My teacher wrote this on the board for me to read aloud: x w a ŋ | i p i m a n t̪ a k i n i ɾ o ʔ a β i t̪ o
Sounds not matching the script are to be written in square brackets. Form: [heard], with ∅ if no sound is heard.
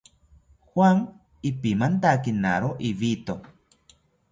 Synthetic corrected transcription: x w a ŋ | i p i m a n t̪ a k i n [a] ɾ o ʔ [i] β i t̪ o